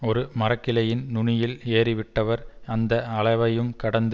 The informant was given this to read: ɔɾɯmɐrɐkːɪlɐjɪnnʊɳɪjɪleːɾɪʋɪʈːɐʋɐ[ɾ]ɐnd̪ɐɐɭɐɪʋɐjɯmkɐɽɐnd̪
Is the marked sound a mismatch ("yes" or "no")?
no